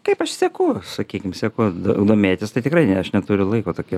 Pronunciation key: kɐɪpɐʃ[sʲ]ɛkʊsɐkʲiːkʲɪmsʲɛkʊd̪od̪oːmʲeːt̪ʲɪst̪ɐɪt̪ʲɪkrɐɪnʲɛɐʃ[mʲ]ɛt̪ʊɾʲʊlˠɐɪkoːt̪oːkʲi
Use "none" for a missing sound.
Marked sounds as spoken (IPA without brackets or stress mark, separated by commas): sʲ, nʲ